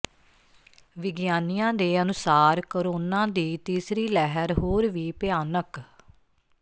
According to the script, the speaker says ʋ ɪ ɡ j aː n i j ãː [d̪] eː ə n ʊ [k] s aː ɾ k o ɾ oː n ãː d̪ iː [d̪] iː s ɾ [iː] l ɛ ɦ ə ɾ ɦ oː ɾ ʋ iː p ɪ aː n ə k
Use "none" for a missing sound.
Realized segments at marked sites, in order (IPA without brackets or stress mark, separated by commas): d̪, none, t̪, iː